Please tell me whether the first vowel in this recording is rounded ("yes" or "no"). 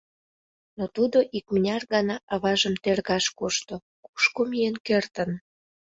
yes